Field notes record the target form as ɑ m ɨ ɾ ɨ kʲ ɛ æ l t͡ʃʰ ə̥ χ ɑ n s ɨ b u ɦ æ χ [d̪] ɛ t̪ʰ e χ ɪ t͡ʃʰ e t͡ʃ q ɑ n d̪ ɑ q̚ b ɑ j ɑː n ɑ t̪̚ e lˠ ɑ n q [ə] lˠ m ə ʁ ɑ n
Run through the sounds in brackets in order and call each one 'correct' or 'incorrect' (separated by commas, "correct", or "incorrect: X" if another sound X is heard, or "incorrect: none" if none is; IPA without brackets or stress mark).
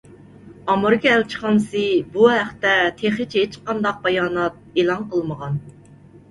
incorrect: t̪, correct